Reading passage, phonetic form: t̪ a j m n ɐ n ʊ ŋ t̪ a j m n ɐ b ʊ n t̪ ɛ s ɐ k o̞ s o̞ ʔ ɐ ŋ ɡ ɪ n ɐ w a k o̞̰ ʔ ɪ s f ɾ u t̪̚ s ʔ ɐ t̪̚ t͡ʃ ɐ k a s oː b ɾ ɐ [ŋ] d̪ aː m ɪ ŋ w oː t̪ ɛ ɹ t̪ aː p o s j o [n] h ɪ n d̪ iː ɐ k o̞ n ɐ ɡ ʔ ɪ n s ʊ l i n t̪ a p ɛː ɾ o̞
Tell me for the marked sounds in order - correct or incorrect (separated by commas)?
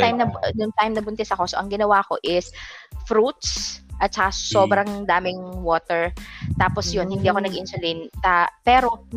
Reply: correct, correct